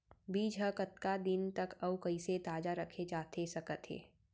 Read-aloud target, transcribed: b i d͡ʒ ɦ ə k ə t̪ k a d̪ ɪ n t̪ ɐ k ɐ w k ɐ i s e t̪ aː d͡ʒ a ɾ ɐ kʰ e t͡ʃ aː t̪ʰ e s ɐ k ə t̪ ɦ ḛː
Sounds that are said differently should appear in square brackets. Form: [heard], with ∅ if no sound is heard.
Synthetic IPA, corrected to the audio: b [iː] d͡ʒ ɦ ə k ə t̪ k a d̪ ɪ n t̪ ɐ k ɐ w k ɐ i s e t̪ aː d͡ʒ a ɾ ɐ kʰ e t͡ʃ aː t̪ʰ e s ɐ k ə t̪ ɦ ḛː